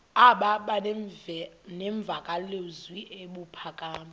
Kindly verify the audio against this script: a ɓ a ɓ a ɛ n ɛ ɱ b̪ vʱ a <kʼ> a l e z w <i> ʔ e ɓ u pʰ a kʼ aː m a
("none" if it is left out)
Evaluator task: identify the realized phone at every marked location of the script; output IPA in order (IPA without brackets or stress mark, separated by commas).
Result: kʼ, i